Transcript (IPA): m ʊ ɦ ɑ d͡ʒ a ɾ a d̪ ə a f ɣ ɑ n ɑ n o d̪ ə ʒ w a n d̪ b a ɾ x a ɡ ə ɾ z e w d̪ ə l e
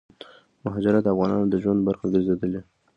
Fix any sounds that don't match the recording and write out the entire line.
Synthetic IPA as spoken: m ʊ ɦ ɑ d͡ʒ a ɾ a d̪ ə a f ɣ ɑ n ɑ n o d̪ ə ʒ w a n d̪ b a ɾ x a ɡ ə ɾ z e d̪ ə l e